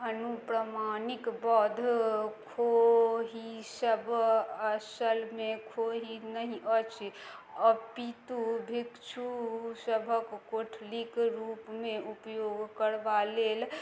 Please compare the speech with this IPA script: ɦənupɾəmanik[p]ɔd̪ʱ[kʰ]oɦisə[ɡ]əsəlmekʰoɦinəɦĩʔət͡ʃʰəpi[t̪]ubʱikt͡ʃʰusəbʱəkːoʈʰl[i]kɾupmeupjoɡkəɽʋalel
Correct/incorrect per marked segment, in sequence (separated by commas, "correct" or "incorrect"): incorrect, correct, incorrect, correct, correct